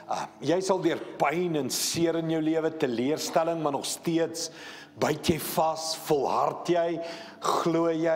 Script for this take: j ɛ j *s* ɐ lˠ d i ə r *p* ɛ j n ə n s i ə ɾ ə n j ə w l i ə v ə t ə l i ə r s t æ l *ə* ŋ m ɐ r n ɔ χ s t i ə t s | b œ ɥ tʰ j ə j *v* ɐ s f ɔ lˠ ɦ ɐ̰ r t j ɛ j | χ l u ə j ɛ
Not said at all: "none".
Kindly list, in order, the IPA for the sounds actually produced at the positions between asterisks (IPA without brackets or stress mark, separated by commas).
s, p, ə, f